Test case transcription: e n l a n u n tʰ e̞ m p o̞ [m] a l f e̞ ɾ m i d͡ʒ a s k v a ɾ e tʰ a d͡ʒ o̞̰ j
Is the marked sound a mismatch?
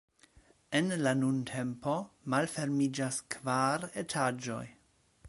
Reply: no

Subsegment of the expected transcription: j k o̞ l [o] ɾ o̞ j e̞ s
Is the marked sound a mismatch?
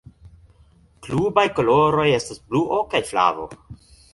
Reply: no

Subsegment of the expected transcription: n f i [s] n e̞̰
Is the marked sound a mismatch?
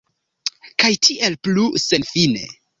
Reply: yes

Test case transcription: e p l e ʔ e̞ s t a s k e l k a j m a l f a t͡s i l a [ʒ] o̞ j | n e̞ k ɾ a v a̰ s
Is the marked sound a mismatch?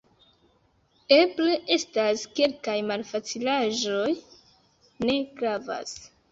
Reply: no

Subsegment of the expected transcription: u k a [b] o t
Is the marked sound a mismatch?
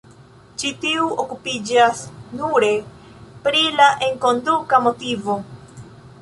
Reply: yes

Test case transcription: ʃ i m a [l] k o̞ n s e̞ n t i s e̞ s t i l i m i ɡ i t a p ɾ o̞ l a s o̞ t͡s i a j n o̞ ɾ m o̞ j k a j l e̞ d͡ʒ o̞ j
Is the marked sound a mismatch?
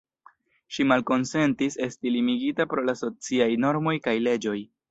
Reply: no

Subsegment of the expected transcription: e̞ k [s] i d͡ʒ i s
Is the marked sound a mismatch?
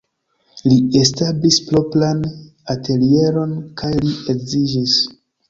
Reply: yes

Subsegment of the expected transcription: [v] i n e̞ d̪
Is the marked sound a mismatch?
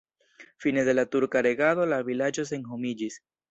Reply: yes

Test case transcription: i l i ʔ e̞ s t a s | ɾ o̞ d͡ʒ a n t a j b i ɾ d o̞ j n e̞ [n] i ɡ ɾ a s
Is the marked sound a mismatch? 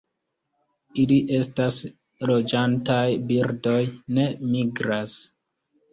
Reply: yes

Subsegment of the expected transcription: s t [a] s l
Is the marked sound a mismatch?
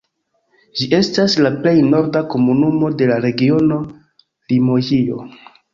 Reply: no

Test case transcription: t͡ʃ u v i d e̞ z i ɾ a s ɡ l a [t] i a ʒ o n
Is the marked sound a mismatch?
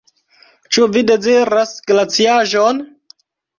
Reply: yes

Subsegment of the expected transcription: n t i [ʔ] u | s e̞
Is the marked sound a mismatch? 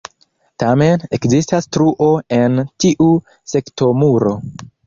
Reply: no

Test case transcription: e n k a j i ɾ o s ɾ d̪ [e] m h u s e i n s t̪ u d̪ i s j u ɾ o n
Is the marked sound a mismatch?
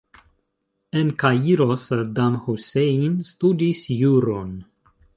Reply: yes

